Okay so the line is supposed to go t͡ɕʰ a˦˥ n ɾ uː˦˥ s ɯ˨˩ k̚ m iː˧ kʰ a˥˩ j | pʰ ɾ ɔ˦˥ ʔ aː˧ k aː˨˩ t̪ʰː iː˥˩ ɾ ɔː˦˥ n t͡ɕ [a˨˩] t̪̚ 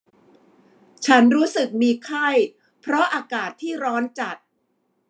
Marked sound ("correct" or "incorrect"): correct